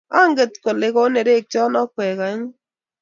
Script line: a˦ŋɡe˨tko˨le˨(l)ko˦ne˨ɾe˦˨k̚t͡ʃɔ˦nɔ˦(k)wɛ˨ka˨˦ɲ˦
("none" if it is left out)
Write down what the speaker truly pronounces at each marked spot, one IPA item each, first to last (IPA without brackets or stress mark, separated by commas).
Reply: none, k